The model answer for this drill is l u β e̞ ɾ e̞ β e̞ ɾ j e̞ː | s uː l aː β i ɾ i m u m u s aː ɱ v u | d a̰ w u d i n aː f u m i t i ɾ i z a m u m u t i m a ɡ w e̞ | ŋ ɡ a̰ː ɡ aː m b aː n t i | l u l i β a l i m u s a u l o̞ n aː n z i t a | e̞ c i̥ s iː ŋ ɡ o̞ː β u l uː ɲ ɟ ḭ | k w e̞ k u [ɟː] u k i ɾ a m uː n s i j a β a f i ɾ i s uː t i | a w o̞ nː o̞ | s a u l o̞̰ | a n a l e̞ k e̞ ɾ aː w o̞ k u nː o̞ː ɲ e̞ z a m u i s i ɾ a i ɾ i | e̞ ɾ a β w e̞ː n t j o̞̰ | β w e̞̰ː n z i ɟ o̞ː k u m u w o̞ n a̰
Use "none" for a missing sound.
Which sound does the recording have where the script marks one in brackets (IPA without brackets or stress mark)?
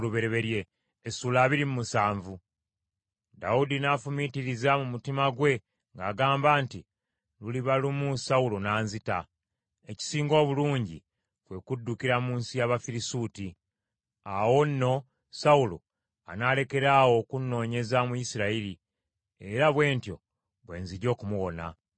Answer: dː